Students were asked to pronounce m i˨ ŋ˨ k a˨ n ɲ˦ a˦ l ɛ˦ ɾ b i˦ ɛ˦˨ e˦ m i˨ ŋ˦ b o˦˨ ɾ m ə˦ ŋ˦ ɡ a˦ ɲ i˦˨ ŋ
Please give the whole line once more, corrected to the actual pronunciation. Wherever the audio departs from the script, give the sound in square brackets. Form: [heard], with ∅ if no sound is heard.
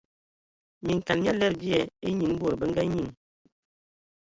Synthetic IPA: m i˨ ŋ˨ k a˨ n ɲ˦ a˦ l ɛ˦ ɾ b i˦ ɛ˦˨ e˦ [ɲ] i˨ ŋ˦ b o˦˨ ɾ [b] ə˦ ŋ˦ ɡ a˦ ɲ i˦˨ ŋ